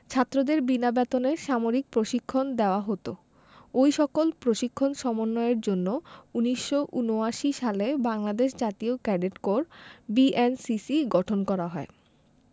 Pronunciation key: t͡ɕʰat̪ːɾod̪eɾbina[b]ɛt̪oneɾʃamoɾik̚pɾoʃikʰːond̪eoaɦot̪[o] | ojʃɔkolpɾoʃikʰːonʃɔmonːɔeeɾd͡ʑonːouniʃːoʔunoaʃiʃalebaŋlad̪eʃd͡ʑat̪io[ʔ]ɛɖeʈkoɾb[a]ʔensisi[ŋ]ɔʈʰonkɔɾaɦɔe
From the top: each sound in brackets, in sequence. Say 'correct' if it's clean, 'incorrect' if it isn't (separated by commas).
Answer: correct, correct, incorrect, incorrect, incorrect